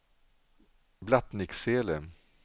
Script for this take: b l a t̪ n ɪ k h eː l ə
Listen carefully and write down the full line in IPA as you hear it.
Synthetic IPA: b l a t̪ n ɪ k s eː l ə